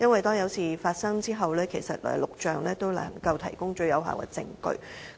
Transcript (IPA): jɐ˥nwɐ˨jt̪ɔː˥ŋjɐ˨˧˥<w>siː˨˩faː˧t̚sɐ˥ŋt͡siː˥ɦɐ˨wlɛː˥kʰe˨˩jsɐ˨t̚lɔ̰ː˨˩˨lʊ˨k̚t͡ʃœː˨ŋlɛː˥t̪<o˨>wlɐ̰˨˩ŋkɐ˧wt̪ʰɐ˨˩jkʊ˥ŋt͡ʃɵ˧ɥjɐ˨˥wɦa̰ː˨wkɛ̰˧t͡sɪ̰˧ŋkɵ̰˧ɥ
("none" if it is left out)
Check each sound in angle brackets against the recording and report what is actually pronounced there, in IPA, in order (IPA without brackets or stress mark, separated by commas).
w, o˥